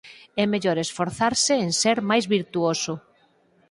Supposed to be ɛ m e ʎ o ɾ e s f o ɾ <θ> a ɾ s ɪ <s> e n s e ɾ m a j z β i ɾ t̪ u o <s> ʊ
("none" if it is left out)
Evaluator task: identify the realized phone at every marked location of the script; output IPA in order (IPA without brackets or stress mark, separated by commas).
θ, none, s